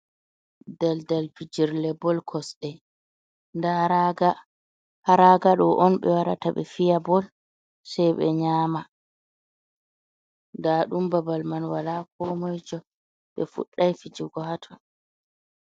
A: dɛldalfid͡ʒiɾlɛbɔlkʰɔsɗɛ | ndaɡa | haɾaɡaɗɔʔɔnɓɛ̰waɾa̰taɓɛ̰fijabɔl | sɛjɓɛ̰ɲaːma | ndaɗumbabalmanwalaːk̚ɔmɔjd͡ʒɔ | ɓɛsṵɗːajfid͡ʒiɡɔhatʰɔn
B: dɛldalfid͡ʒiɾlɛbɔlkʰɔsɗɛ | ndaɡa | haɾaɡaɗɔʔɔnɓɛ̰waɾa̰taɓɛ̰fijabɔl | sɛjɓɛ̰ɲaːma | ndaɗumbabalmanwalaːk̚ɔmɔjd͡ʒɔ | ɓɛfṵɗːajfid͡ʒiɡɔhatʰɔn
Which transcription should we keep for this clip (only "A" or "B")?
B